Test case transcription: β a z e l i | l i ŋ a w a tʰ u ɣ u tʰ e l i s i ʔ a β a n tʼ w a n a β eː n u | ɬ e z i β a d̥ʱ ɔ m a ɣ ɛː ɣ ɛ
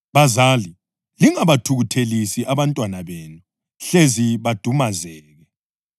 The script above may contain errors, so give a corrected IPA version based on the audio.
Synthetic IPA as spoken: β a z a l i | l i ŋ a β a tʰ u ɣ u tʰ e l i s i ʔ a β a n tʼ w a n a β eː n u | ɬ e z i β a d̥ʱ u m a z ɛː ɣ ɛ